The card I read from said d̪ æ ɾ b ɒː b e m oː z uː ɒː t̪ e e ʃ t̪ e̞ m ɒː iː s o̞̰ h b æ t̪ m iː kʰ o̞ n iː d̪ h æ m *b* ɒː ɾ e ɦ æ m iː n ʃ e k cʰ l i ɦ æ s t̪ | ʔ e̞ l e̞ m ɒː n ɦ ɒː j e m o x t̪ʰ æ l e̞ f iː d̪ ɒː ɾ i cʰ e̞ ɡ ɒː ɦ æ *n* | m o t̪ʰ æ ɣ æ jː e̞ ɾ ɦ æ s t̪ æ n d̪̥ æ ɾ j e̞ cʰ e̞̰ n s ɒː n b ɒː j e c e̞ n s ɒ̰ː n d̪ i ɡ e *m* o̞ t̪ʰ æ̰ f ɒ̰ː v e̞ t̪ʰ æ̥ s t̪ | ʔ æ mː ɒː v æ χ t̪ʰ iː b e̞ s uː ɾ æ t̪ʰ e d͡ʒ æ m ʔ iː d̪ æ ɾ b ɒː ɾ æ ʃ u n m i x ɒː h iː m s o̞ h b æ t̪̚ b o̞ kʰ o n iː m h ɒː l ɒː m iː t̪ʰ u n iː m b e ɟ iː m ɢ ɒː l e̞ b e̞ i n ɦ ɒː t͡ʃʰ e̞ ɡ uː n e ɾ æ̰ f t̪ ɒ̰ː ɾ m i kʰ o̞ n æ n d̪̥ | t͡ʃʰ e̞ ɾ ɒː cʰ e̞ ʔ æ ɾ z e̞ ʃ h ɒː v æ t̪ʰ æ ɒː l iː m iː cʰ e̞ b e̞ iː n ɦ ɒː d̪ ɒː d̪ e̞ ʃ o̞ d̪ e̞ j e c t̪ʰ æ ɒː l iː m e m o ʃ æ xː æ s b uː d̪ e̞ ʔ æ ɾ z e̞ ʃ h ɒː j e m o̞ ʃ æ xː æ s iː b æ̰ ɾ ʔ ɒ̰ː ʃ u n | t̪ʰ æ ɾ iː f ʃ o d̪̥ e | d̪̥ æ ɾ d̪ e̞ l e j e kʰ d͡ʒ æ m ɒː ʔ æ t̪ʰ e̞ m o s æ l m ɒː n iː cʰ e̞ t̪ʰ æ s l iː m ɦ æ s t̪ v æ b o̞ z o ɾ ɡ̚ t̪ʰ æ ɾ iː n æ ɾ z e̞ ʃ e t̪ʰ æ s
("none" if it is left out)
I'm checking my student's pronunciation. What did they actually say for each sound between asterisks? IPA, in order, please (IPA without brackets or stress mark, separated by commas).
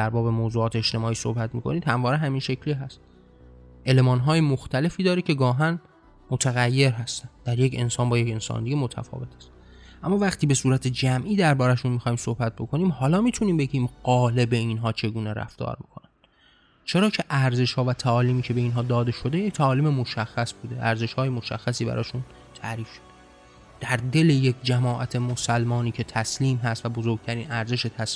v, n, m